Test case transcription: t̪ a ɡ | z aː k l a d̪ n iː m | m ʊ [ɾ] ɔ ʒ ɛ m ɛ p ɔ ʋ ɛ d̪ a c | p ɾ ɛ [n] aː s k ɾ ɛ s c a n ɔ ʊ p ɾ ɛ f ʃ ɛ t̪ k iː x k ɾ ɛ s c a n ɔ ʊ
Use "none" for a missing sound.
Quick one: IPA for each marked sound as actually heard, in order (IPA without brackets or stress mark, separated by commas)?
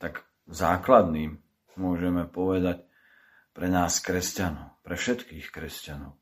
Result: none, n